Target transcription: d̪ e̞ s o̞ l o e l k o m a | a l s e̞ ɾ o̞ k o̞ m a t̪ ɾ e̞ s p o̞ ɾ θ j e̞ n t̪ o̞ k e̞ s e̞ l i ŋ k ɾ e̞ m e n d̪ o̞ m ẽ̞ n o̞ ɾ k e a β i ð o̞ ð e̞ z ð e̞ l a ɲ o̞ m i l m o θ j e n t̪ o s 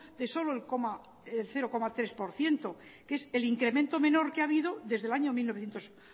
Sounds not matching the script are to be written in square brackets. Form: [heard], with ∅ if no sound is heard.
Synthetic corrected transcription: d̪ e̞ s o̞ l o e l k o m a | [e] l [θ] e̞ ɾ o̞ k o̞ m a t̪ ɾ e̞ s p o̞ ɾ θ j e̞ n t̪ o̞ k e̞ s e̞ l i ŋ k ɾ e̞ m e n [t̪] o̞ m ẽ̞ n o̞ ɾ k e a β i ð o̞ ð e̞ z ð e̞ l a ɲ o̞ m i l [n] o θ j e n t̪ o s